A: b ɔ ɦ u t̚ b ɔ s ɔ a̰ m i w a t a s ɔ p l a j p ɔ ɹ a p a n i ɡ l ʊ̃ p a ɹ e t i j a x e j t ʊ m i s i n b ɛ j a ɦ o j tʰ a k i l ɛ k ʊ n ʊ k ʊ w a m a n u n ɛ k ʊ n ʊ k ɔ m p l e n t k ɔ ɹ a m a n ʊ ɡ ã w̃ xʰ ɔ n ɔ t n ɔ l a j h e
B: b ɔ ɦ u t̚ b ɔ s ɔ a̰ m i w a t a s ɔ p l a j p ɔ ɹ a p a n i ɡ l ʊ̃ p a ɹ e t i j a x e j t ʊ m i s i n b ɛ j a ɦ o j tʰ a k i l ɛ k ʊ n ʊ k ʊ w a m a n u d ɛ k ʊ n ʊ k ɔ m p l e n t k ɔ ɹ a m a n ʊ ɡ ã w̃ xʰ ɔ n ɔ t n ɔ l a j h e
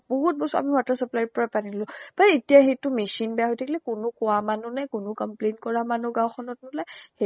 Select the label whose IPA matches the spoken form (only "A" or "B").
A